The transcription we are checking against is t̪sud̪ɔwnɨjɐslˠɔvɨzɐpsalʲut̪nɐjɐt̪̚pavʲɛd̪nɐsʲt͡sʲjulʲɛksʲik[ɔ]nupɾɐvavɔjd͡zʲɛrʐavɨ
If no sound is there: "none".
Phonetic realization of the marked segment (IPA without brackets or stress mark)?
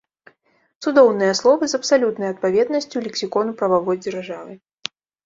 ɔ